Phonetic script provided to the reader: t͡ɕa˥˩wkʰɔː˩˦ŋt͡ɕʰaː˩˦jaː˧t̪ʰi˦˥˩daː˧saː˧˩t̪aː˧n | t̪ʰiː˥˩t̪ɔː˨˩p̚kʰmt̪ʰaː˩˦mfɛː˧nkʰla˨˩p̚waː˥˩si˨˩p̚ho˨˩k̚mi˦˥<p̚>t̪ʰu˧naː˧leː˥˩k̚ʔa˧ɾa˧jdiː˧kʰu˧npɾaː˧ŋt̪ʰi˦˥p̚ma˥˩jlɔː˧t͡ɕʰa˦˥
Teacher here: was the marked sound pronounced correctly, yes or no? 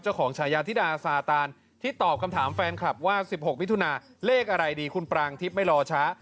no